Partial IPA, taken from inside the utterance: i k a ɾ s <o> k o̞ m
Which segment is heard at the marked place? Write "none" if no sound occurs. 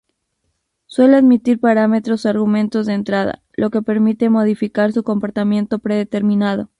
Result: u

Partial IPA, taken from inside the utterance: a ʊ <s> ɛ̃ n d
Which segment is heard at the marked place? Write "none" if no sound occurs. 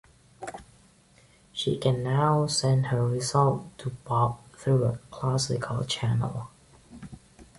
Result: s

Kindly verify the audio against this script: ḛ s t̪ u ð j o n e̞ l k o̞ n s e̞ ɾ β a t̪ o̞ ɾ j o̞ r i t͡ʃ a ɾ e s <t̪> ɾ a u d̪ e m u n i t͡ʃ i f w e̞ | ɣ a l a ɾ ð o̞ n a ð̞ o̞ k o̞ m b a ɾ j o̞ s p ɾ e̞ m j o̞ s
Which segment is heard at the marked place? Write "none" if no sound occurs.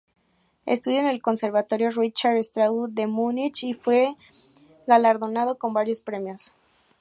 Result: t̪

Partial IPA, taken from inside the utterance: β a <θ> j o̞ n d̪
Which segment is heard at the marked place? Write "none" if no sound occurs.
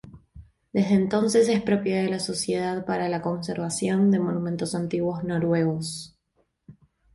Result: s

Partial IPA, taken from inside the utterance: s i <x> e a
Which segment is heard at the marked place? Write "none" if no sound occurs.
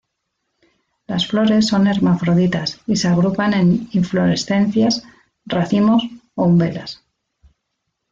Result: s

